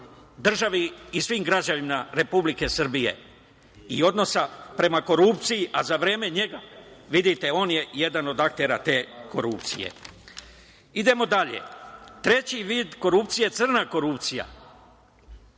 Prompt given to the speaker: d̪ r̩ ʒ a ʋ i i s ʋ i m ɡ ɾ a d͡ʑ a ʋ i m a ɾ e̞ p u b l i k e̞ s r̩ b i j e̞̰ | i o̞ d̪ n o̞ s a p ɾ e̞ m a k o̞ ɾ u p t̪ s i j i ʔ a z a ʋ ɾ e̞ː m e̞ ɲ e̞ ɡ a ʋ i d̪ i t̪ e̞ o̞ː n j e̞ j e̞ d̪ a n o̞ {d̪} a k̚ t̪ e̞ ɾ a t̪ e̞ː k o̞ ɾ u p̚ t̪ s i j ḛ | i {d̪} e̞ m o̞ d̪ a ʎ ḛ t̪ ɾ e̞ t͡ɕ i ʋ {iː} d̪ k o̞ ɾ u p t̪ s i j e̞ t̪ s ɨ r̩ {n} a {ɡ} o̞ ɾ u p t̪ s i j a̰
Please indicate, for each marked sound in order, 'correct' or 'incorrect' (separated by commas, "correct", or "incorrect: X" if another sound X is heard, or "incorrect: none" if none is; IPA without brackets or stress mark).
correct, correct, correct, correct, incorrect: k